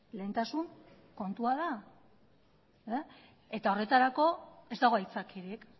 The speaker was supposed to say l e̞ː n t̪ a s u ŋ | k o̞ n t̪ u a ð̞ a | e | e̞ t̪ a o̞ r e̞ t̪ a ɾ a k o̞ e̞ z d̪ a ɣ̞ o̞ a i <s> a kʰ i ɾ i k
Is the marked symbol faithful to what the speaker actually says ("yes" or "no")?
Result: no